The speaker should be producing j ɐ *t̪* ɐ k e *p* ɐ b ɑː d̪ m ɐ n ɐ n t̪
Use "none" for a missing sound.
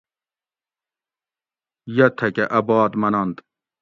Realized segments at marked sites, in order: t̪ʰ, ʔ

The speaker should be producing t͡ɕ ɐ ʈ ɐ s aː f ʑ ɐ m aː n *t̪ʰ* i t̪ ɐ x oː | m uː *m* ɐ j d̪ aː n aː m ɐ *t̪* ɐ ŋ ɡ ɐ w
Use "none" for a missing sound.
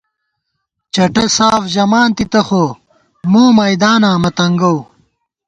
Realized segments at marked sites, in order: t̪, m, t̪

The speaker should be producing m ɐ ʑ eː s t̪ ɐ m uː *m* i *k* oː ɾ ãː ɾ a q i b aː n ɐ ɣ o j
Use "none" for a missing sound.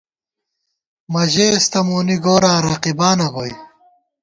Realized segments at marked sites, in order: n, ɡ

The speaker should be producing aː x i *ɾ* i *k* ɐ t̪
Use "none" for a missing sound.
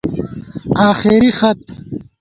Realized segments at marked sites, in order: ɾ, x

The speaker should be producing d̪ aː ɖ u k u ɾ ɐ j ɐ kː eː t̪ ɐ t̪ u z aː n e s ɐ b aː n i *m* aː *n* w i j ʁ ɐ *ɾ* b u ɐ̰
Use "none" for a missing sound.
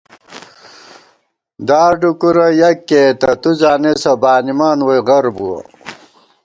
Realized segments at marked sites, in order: m, n, ɾ

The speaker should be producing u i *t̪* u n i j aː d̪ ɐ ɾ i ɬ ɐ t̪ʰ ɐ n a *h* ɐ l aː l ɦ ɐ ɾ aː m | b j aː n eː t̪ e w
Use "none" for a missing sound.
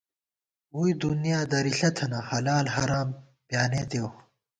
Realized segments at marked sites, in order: d̪, h

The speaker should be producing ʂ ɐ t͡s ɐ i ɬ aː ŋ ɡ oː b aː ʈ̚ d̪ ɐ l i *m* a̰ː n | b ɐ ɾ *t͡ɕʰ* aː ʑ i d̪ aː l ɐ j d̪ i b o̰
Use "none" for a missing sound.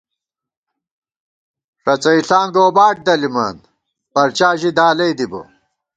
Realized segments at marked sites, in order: m, t͡ɕ

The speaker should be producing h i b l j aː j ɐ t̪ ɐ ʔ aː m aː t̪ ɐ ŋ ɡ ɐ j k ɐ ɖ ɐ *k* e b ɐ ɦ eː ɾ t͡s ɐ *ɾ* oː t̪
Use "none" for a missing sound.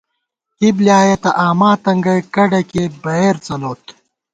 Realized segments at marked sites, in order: k, l

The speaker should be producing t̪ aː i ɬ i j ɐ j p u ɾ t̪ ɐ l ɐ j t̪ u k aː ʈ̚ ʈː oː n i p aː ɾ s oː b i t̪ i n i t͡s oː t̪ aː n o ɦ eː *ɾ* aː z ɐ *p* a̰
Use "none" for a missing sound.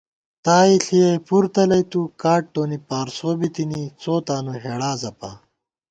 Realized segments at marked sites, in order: ɽ, p

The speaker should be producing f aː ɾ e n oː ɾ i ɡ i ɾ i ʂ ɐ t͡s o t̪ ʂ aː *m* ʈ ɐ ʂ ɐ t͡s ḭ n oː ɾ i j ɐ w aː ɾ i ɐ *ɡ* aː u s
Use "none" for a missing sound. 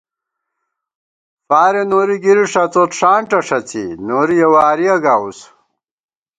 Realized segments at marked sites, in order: ɳ, ɡ

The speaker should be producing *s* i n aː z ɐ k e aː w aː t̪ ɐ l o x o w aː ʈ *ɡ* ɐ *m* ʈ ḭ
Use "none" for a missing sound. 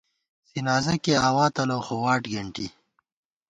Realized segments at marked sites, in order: s, ɡ, ɳ

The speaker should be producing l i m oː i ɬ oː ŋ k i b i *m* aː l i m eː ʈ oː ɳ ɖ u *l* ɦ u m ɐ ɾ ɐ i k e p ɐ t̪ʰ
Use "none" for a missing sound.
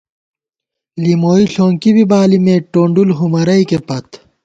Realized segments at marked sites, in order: b, l

